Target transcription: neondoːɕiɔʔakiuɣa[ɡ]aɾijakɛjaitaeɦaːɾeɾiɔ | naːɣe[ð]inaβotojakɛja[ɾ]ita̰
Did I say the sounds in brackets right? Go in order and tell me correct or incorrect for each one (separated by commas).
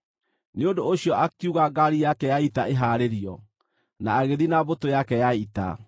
correct, correct, incorrect